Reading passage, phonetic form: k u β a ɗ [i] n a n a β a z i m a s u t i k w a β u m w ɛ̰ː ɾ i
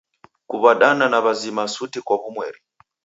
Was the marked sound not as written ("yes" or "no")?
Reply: yes